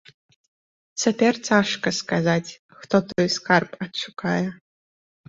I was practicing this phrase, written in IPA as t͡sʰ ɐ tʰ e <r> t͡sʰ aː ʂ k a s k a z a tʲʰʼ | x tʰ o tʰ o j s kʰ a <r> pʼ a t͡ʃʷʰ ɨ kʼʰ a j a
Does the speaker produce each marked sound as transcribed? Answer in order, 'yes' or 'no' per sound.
yes, yes

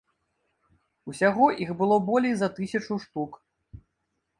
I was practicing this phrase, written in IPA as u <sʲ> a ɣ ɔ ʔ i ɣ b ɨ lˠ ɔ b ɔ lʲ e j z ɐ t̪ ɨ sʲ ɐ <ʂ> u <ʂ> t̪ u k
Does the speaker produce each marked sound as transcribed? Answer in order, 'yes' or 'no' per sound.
yes, no, yes

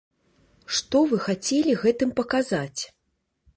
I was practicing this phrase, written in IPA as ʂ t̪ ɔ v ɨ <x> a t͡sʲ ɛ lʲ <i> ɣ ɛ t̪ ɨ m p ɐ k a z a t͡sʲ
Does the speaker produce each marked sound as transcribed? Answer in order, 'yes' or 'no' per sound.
yes, yes

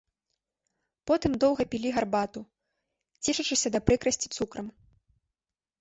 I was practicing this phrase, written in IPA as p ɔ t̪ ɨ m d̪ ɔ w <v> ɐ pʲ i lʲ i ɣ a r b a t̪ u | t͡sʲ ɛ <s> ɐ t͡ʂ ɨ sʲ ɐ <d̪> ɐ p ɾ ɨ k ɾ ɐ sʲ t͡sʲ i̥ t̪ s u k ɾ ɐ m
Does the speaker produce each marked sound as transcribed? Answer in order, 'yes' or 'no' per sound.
no, no, yes

